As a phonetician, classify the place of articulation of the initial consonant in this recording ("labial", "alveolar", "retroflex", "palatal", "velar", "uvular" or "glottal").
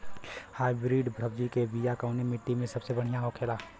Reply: glottal